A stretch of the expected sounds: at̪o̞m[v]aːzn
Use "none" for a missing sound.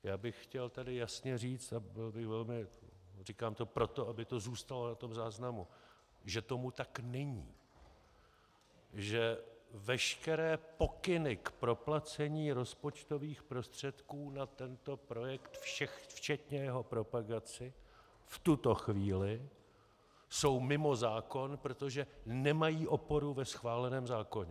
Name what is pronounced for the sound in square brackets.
z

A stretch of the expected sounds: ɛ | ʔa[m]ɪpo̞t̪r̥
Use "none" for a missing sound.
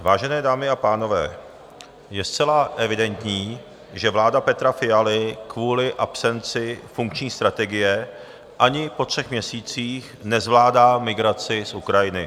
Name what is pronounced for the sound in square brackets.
ɲ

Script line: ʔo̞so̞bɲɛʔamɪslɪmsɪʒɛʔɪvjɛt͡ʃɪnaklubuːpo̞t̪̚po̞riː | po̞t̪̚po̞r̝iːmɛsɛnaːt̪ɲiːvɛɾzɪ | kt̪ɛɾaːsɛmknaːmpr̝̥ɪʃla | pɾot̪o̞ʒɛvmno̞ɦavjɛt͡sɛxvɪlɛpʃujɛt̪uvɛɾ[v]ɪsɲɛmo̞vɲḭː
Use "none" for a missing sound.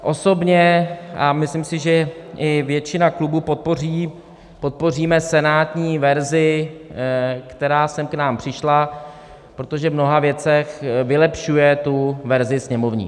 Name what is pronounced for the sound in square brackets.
z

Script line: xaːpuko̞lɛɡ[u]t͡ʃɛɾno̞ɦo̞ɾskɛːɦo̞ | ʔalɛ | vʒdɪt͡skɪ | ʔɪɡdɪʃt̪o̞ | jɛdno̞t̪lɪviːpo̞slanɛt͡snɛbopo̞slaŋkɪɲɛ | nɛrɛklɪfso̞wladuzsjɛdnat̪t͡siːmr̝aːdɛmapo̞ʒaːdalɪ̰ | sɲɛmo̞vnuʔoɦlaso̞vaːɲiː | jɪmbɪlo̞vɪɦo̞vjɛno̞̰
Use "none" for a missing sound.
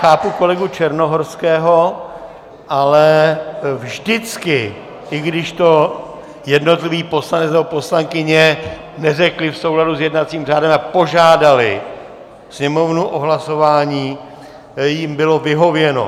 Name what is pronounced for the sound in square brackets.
u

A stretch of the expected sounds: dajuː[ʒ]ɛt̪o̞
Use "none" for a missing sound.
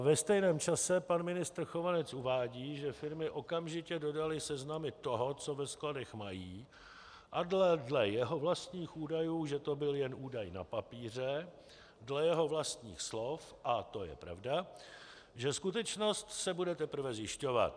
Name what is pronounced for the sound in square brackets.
ʒ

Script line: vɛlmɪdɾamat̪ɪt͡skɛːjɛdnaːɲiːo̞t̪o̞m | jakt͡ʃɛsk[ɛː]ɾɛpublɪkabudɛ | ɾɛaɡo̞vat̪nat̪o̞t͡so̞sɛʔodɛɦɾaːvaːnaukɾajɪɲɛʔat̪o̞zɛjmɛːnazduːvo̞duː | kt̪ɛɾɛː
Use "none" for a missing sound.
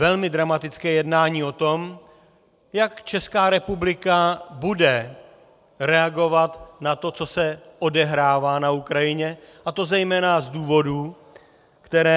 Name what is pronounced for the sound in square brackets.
aː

